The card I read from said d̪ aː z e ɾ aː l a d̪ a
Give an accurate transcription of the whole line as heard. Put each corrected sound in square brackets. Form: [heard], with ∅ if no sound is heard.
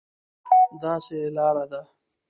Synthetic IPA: d̪ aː [s] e [l] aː [ɾ] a d̪ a